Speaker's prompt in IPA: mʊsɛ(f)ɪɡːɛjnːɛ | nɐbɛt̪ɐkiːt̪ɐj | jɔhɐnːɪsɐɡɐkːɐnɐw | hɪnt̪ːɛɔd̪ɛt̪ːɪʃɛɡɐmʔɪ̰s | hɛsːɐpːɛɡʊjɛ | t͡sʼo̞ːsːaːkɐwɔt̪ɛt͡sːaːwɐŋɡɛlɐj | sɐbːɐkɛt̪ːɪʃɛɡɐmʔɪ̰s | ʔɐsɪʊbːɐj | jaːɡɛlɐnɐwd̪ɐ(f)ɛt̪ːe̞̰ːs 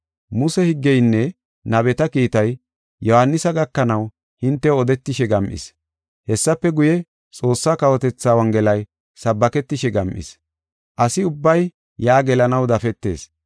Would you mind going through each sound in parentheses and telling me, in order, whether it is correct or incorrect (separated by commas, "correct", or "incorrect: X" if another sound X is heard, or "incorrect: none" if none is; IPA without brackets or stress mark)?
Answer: incorrect: h, correct